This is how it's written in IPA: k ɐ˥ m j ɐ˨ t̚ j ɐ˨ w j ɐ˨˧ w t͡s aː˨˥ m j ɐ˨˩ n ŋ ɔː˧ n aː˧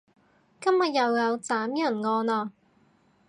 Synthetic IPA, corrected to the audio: k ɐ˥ m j ɐ˨ t̚ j ɐ˨ w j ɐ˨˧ w t͡s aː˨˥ m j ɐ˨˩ n ŋ ɔː˧ n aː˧